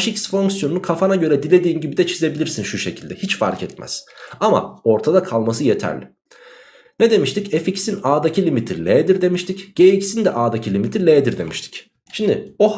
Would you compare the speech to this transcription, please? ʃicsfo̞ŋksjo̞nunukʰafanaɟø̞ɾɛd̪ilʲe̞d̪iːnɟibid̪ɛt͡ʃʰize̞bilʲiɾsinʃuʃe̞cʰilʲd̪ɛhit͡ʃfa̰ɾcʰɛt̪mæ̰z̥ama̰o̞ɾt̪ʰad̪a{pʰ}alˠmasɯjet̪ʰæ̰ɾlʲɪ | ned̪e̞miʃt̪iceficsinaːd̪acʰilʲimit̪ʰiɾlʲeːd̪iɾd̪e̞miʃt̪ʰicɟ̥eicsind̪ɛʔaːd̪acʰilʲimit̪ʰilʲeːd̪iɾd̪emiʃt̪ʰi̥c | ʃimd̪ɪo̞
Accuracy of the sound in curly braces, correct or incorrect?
incorrect